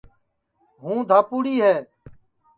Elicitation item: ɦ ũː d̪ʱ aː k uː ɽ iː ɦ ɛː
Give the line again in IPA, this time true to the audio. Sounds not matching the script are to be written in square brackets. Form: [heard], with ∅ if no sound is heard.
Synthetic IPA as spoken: ɦ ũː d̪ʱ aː [p] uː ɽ iː ɦ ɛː